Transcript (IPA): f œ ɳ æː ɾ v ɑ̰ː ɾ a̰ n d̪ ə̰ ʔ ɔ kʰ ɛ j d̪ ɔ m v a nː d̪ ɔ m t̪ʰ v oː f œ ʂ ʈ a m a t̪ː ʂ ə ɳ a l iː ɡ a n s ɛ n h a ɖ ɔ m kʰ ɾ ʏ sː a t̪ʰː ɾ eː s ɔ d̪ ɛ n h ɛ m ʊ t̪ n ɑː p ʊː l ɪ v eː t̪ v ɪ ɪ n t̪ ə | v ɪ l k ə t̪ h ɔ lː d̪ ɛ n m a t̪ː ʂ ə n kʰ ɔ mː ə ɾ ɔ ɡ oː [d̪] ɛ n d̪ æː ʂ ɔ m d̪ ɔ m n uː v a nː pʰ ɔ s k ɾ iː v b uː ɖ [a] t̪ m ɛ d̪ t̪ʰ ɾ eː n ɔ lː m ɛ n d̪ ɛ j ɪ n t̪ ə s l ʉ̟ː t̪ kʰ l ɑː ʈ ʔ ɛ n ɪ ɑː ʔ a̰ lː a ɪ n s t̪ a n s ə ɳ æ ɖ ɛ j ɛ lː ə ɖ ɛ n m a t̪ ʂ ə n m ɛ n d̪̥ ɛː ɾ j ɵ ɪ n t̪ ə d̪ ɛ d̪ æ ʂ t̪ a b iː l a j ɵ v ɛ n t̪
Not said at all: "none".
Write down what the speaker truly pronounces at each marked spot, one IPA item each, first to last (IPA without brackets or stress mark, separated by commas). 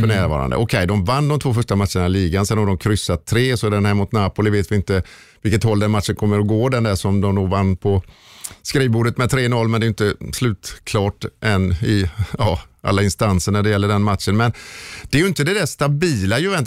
d̪, ə